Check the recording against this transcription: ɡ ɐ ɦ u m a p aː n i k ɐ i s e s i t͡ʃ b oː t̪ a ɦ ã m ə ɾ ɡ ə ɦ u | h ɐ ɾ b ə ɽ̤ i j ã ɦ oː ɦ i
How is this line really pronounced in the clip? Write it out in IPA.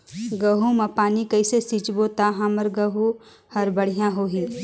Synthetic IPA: ɡ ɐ ɦ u m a p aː n i k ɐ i s e s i t͡ʃ b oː t̪ a ɦ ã m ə ɾ ɡ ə ɦ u | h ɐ ɾ b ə ɽ̤ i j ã ɦ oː ɦ i